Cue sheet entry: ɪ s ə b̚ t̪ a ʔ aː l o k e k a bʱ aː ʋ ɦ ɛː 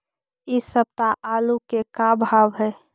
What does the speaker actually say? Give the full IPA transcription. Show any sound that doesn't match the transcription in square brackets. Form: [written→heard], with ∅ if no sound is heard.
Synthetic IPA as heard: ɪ s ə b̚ t̪ a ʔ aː l [o→u] k e k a bʱ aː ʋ ɦ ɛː

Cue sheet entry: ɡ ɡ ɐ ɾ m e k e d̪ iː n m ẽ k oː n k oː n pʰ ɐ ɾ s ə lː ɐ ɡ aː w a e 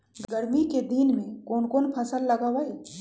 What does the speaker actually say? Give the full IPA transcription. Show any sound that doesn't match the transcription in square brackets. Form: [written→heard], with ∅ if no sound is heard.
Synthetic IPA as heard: ɡ ɡ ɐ ɾ m [e→i] k e d̪ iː n m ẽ k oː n k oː n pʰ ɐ [ɾ→∅] s ə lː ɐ ɡ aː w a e

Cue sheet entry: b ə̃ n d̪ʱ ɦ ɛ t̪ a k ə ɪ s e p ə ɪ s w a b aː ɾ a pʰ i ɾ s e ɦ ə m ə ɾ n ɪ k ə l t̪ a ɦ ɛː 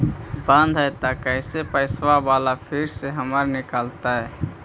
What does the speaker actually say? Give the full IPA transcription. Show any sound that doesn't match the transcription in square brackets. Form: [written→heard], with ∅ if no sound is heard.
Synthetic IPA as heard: b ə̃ n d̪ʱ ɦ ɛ t̪ a k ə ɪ s e p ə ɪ s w a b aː [ɾ→l] a pʰ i ɾ s e ɦ ə m ə ɾ n ɪ k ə l t̪ a ɦ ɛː

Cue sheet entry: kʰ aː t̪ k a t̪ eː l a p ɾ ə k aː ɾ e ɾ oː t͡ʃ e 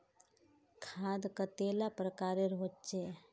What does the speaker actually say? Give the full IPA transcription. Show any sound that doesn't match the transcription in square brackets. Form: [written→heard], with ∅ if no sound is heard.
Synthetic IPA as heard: kʰ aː [t̪→d̪] k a t̪ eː l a p ɾ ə k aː ɾ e ɾ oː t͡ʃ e

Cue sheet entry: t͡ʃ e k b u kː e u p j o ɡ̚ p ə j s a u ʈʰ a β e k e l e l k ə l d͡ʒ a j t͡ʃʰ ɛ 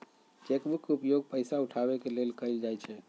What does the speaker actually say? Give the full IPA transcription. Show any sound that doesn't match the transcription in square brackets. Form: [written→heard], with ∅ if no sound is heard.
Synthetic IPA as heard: t͡ʃ e k b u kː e u p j o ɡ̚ p ə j s a u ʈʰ a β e k e l e l k ə l d͡ʒ a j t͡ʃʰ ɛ

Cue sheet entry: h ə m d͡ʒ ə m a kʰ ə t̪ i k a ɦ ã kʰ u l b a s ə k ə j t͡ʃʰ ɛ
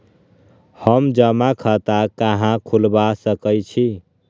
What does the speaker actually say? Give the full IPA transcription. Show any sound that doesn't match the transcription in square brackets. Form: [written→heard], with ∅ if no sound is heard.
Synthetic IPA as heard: h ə m d͡ʒ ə m a kʰ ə t̪ [i→a] k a ɦ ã kʰ u l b a s ə k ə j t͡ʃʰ [ɛ→i]

